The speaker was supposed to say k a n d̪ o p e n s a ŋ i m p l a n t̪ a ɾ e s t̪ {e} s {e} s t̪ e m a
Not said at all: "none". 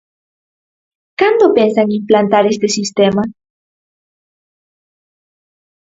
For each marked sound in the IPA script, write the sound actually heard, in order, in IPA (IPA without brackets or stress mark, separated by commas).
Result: e, i